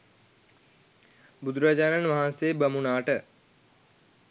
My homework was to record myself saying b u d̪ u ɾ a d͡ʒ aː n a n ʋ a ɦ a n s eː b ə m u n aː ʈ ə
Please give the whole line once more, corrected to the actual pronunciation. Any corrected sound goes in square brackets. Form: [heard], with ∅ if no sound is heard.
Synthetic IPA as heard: b u d̪ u ɾ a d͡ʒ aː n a n ʋ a ɦ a n s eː b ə m u n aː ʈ ə